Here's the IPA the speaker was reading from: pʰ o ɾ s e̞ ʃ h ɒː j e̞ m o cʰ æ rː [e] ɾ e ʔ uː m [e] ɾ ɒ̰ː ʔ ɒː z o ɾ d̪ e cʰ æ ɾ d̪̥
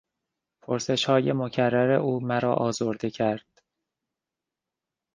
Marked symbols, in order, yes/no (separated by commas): no, no